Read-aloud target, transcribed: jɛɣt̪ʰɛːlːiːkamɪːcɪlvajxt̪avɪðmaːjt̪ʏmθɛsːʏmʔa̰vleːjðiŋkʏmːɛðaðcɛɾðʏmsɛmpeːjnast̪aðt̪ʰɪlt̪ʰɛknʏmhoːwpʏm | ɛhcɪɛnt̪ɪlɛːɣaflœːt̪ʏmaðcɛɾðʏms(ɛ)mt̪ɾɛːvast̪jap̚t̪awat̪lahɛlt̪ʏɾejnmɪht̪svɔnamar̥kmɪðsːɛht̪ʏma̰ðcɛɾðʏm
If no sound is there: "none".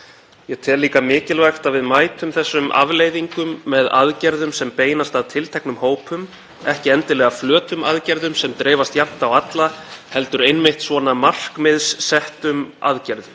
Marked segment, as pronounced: ɛ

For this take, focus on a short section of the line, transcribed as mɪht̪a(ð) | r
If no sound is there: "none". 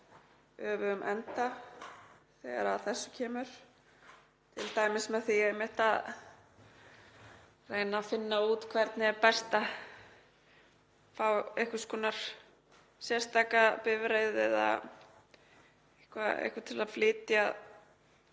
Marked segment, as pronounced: ð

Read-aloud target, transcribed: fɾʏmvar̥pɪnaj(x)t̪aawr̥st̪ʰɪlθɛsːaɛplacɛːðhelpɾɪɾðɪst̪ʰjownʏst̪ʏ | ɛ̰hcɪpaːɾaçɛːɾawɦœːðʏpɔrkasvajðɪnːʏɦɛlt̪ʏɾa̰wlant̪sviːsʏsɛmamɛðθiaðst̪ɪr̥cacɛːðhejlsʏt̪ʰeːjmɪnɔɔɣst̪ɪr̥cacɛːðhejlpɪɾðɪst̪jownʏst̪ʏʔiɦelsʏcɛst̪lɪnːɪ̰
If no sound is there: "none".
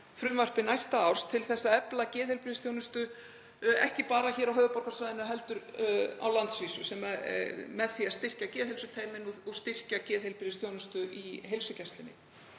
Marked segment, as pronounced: s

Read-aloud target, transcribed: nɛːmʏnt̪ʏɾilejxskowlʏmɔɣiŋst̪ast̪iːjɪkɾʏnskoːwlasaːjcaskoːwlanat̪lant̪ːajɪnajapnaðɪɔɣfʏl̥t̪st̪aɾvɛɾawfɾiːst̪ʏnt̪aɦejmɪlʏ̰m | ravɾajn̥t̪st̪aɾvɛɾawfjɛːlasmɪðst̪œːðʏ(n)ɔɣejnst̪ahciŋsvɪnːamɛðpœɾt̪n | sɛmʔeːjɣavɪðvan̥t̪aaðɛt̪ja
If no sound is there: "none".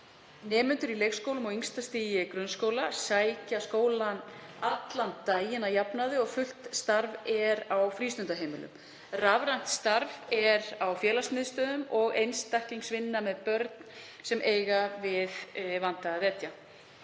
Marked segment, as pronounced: m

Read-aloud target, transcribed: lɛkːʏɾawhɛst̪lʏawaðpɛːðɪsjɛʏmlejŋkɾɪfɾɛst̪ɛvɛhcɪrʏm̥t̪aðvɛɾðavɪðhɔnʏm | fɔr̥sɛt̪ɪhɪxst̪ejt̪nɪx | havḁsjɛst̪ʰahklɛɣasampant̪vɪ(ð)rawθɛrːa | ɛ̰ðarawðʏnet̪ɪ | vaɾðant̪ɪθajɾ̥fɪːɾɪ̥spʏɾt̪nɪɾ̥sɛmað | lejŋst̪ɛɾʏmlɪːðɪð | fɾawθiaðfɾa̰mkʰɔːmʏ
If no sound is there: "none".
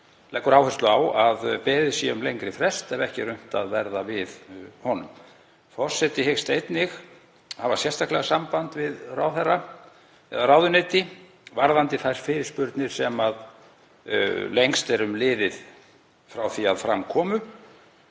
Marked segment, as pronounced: ð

